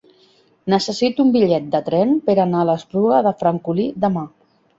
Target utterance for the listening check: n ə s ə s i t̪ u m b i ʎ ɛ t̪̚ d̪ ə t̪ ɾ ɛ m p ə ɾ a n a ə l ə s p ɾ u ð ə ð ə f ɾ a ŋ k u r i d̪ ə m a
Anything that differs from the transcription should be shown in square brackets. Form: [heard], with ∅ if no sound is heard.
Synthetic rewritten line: n ə s ə s i t̪ u m b i ʎ ɛ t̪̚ d̪ ə t̪ ɾ ɛ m p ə ɾ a n a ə l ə s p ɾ u [ɣ] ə ð ə f ɾ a ŋ k u [l] i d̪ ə m a